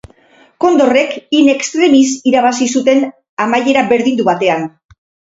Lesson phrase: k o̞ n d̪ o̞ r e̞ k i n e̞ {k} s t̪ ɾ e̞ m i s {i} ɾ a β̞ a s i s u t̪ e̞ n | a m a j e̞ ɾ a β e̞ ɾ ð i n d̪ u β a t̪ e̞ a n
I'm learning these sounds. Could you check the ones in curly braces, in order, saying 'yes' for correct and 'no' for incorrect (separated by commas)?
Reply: yes, yes